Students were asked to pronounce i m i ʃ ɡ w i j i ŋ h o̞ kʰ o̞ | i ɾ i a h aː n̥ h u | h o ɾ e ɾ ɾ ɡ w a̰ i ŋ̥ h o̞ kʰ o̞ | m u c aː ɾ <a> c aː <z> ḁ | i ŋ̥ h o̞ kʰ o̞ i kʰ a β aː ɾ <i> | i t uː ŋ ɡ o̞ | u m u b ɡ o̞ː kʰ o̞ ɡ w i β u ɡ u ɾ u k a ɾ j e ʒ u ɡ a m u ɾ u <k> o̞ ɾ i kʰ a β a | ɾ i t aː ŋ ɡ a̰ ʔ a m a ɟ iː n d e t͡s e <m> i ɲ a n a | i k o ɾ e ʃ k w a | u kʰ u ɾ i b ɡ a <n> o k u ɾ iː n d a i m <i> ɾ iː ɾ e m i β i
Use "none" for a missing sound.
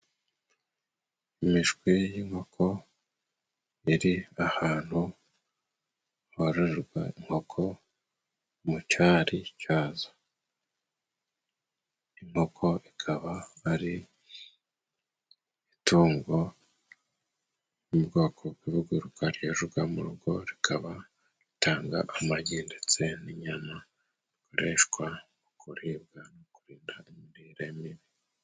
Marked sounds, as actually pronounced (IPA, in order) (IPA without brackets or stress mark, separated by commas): i, z, i, ɡ, n, n, i